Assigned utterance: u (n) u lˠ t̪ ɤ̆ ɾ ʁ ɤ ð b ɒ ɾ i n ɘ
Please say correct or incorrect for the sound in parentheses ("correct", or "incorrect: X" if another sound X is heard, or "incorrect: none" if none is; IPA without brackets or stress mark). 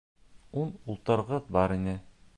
correct